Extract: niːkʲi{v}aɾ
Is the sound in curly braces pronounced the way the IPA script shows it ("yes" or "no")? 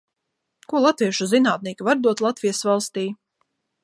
yes